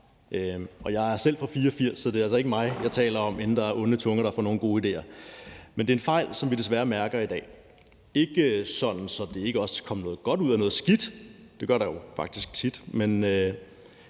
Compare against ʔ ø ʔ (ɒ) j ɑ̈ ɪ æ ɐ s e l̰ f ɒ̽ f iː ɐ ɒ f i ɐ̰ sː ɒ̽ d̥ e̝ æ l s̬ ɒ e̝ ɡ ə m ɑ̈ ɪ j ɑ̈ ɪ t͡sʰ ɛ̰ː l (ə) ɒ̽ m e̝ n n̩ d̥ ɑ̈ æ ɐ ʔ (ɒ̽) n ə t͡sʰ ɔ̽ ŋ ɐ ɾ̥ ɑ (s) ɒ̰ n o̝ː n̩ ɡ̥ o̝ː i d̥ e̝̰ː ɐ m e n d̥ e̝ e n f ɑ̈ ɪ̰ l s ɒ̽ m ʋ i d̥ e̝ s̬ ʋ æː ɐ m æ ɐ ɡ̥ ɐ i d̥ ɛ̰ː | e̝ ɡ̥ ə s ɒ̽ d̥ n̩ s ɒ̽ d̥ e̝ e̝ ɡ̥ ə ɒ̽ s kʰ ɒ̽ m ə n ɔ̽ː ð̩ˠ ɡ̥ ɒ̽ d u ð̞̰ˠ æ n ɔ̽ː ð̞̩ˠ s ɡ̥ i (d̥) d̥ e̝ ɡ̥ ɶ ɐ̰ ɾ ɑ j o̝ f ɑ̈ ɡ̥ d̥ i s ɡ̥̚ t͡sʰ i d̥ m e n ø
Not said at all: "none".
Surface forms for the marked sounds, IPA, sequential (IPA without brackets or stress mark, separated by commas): ɒ, ɐ, ɔ̽, f, d̥